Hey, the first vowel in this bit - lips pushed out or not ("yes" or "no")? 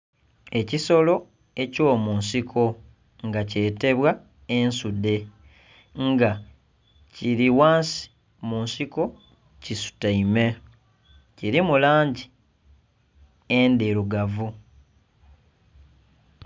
no